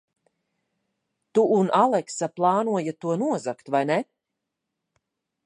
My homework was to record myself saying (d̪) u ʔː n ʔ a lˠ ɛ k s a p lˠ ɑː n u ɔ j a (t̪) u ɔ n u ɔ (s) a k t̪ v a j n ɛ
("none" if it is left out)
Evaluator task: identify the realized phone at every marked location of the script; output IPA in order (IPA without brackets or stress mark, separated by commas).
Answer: t̪, t̪, z